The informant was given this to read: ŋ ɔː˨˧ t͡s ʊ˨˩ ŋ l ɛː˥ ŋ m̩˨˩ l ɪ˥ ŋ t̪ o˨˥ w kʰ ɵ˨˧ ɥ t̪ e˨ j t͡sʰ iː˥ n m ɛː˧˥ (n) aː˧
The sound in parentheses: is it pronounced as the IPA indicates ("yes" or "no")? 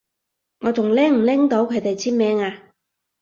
no